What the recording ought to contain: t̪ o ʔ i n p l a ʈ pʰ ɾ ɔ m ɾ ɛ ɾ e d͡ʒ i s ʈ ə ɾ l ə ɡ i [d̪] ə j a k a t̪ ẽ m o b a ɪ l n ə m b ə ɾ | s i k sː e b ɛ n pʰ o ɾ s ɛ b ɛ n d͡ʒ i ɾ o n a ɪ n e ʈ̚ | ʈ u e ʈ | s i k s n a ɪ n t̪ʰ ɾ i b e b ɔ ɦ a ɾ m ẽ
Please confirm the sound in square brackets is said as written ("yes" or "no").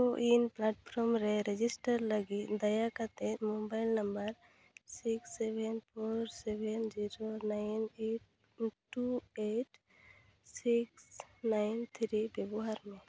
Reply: yes